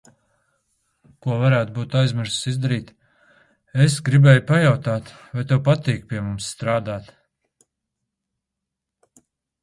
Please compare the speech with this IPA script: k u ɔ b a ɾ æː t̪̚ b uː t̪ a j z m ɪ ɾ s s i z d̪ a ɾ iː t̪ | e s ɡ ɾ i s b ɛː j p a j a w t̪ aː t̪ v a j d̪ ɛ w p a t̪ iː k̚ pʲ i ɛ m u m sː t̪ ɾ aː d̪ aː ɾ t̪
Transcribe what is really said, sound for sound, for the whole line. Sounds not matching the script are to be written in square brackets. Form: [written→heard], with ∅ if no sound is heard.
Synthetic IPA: k u ɔ [b→v] a ɾ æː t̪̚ b uː t̪ a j z m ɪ ɾ s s i z d̪ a ɾ iː t̪ | e s ɡ ɾ i [s→∅] b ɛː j p a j a w t̪ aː t̪ v a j [d̪→t̪] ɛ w p a t̪ iː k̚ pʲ i ɛ m u m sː t̪ ɾ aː d̪ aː [ɾ→∅] t̪